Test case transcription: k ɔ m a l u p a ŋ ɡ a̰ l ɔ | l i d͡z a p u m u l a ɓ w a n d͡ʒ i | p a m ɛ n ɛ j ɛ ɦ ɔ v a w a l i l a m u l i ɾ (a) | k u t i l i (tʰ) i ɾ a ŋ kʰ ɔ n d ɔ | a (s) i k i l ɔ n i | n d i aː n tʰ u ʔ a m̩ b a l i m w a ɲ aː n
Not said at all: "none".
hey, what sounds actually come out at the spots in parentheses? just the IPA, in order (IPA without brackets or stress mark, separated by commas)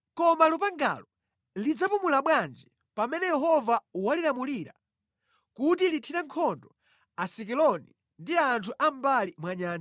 a, tʰ, s